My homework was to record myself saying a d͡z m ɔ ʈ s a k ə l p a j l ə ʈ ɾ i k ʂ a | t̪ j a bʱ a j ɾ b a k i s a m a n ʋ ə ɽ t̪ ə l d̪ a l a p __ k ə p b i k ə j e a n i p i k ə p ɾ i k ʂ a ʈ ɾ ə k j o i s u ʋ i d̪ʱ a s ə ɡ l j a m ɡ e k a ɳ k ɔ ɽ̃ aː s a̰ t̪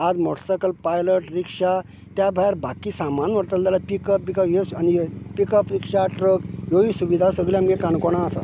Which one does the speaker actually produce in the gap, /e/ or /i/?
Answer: i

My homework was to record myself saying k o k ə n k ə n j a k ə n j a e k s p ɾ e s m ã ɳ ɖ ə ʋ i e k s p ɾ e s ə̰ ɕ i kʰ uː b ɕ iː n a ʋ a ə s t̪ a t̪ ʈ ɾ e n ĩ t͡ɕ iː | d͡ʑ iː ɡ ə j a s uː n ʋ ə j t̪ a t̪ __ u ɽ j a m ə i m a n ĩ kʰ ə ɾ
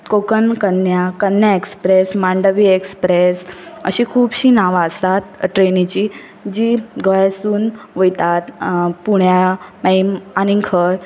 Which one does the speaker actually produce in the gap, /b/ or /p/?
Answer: p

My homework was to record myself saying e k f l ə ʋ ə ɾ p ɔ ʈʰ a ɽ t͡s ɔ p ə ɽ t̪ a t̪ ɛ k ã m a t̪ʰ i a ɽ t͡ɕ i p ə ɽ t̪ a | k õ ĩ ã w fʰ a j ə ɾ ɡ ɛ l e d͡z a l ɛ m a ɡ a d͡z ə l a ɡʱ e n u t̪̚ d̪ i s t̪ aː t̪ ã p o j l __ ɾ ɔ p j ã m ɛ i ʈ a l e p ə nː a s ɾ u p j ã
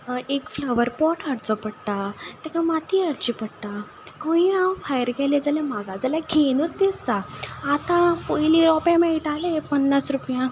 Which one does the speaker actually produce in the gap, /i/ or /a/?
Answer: i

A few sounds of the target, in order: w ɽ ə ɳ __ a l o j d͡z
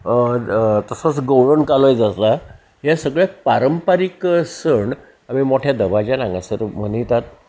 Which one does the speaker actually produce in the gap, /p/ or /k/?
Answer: k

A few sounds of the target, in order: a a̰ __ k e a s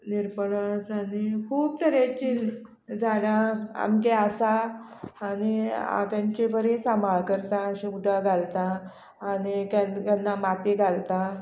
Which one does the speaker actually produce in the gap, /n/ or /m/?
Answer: m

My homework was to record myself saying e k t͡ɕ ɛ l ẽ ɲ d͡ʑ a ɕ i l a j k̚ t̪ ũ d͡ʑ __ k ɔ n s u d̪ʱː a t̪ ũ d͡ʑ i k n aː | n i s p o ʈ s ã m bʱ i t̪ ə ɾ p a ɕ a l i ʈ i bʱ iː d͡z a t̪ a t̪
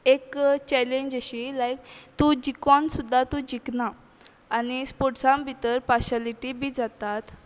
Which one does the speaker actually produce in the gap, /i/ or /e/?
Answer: i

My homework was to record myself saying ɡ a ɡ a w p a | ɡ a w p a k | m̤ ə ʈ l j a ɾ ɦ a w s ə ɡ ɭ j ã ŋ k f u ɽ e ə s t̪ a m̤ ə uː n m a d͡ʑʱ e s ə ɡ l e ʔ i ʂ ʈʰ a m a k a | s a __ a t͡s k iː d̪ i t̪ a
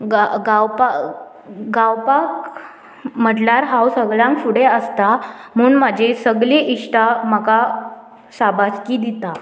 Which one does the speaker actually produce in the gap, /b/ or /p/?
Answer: b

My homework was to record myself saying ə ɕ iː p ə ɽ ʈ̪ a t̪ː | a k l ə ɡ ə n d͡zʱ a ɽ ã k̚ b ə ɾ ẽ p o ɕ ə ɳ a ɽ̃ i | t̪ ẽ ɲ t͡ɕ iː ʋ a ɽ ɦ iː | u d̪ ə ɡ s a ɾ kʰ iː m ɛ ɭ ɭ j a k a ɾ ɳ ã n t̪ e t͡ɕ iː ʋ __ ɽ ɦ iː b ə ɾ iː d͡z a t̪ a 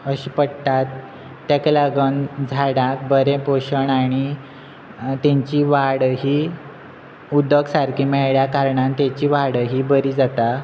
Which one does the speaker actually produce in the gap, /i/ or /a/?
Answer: a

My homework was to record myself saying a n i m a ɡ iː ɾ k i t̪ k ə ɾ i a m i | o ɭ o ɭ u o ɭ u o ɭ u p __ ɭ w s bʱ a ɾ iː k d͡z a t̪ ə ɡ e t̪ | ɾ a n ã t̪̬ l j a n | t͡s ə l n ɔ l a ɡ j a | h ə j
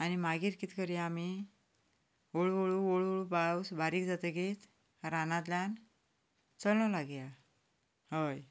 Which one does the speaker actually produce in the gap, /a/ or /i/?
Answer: a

